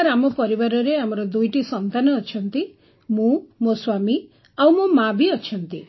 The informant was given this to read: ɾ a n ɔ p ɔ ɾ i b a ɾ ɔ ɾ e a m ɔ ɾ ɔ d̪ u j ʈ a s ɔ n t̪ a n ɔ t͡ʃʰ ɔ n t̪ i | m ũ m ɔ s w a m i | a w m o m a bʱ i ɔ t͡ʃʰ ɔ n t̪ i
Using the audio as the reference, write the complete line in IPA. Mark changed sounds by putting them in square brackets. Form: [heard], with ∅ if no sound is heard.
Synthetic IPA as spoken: ɾ a [m] ɔ p ɔ ɾ i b a ɾ ɔ ɾ e a m ɔ ɾ ɔ d̪ u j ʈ [i] s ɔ n t̪ a n [ɔː] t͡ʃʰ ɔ n t̪ i | m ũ m [o] s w a m i | a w m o m a bʱ i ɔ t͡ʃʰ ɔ n t̪ i

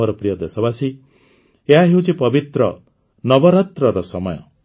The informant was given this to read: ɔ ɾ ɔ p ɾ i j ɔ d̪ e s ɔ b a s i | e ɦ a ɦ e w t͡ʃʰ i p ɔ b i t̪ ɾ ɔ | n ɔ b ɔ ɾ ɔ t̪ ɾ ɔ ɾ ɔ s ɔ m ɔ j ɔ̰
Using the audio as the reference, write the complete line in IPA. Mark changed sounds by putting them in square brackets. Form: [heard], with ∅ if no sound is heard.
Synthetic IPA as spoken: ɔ ɾ ɔ p ɾ i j ɔ d̪ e s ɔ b a s i | e ɦ a ɦ e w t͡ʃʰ i p ɔ b i t̪ ɾ ɔ | n ɔ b ɔ ɾ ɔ t̪ ɾ ɔ ɾ ɔ s ɔ m ɔ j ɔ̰

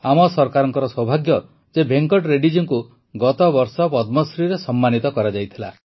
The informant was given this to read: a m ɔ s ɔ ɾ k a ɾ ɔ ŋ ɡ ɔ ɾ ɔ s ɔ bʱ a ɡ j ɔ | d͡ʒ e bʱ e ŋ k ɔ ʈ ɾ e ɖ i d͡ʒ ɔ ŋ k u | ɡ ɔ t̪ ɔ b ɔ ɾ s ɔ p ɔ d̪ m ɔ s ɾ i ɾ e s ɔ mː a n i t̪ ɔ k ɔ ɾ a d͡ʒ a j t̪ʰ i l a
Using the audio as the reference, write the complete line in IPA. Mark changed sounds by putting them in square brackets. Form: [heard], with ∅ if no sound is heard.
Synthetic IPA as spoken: a m ɔ s ɔ ɾ k a ɾ ɔ ŋ [k] ɔ ɾ ɔ s ɔ bʱ a ɡ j ɔ | d͡ʒ e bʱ e ŋ k ɔ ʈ ɾ e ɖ i d͡ʒ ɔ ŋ k u | ɡ ɔ t̪ ɔ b ɔ ɾ s ɔ p ɔ d̪ m ɔ s ɾ i ɾ e s ɔ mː a n i t̪ ɔ k ɔ ɾ a d͡ʒ a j t̪ʰ i l a

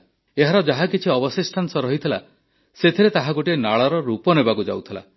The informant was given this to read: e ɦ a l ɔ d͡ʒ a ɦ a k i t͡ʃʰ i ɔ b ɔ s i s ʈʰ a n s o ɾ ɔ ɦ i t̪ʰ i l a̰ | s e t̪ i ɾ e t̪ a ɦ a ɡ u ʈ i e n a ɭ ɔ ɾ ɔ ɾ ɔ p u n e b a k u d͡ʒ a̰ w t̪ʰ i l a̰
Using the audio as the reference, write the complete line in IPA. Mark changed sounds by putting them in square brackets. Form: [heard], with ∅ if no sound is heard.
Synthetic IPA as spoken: e ɦ a [ɾ] ɔ d͡ʒ a ɦ a k i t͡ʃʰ i ɔ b ɔ s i s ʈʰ a n s [ɔ] ɾ ɔ ɦ i t̪ʰ i l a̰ | s e [t̪ʰ] i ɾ e t̪ a ɦ a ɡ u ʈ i e n a ɭ ɔ ɾ ɔ ɾ [u] p [ɔ] n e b a k u d͡ʒ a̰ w t̪ʰ i l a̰

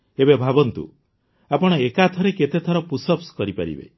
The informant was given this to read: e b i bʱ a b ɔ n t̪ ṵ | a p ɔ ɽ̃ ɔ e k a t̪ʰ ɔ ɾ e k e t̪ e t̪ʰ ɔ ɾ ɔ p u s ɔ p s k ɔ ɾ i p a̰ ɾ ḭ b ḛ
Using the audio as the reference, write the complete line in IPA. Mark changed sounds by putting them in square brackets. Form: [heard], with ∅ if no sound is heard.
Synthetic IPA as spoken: e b [e] bʱ a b ɔ n t̪ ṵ | a p ɔ ɽ̃ ɔ e k a t̪ʰ ɔ ɾ e k e t̪ e t̪ʰ ɔ ɾ ɔ p u s ɔ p s k ɔ ɾ i p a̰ ɾ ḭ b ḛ

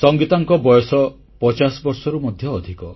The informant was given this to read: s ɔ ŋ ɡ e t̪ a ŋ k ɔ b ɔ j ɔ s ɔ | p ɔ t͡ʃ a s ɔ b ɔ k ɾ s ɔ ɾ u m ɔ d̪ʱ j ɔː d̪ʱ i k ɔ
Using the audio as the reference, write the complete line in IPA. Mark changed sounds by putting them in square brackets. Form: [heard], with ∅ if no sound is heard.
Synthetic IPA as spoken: s ɔ ŋ ɡ [i] t̪ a ŋ k ɔ b ɔ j ɔ s ɔ | p ɔ t͡ʃ a s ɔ b ɔ [∅] ɾ s ɔ ɾ u m ɔ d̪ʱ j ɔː d̪ʱ i k ɔ

